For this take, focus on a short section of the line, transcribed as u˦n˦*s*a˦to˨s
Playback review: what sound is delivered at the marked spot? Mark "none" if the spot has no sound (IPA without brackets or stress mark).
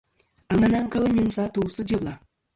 s